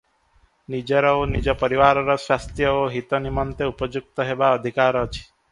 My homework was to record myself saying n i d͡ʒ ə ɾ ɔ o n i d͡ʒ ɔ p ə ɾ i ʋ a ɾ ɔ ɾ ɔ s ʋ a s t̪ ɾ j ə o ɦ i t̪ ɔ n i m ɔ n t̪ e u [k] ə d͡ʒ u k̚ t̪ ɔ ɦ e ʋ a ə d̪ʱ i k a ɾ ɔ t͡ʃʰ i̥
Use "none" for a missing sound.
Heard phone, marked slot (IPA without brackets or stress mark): p